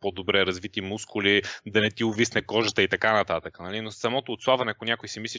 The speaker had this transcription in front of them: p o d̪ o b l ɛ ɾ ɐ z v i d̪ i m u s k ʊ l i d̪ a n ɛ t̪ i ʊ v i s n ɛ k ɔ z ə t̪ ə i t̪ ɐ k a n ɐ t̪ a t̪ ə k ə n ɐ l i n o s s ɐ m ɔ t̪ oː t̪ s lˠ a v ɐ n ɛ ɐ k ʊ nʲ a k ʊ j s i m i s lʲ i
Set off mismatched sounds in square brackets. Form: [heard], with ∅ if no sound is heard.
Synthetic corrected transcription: p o d̪ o b [ɾ] ɛ ɾ ɐ z v i [t̪] i m u s k ʊ l i d̪ [ɐ] n ɛ t̪ i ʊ v i s n ɛ k ɔ [ʒ] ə t̪ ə i t̪ ɐ k a n ɐ t̪ a t̪ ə k ə n ɐ l i n o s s ɐ m ɔ t̪ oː t̪ s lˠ a v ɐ n ɛ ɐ k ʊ nʲ a k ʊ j s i m i s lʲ i